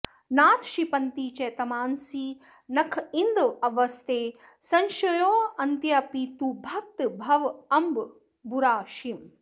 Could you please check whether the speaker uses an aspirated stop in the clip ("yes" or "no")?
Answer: yes